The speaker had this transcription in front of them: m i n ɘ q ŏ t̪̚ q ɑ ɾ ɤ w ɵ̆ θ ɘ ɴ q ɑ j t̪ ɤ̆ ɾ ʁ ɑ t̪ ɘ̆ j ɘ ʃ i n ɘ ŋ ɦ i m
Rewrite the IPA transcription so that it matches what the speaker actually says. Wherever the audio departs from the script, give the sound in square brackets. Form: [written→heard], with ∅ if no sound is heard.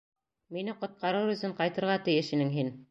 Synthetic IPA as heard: m i n ɘ q ŏ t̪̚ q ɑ ɾ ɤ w ɵ̆ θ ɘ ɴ q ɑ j t̪ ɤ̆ ɾ ʁ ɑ t̪ ɘ̆ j ɘ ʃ i n ɘ ŋ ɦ i [m→n]